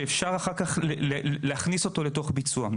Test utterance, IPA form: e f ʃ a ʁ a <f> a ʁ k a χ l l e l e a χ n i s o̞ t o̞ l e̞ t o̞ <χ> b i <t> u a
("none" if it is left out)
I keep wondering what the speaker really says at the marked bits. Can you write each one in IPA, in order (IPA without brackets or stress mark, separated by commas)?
χ, χ, t͡s